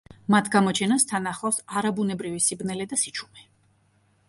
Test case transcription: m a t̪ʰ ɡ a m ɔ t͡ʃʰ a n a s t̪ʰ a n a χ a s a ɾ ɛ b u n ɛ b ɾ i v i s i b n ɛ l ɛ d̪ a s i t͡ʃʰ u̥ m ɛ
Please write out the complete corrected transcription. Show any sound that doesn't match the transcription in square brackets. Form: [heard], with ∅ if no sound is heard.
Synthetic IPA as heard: m a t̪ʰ ɡ a m ɔ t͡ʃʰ [ɛ] n a s t̪ʰ a n a χ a s a ɾ [a] b u n ɛ b ɾ i v i s i b n ɛ l ɛ d̪ a s i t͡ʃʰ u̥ m ɛ